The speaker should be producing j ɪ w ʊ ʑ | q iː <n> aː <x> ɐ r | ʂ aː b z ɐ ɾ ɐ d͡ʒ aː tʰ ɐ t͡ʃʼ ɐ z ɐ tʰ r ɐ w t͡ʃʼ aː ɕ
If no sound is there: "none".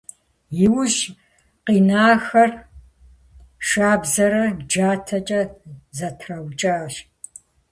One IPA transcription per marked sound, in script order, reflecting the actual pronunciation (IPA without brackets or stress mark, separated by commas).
n, x